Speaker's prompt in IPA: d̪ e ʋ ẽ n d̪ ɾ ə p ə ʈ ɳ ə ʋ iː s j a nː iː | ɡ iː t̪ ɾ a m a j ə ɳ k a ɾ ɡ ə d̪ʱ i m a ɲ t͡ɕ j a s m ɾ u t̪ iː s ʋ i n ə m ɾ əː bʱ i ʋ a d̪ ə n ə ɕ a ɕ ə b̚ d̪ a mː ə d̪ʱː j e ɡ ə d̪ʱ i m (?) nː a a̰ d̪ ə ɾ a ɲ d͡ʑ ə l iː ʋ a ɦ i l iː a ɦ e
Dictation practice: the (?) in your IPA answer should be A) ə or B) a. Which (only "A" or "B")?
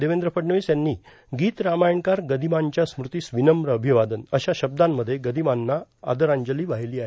B